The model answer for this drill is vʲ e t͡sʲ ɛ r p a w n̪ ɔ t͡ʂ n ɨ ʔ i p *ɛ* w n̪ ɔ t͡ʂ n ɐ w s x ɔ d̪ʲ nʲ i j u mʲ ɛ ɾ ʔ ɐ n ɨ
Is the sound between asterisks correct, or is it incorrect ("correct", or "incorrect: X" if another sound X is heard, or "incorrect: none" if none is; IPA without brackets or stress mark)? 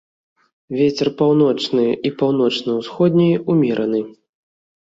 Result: incorrect: a